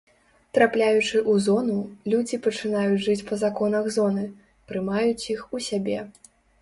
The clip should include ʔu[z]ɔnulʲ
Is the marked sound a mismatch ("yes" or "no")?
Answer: no